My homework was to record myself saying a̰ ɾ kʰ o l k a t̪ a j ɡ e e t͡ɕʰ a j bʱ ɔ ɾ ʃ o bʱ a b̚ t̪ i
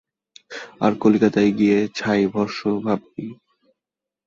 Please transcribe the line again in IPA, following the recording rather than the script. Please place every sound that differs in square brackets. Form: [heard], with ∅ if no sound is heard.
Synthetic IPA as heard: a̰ ɾ [k] o l k a t̪ a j ɡ [i] e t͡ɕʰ a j bʱ ɔ ɾ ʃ o bʱ a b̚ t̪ i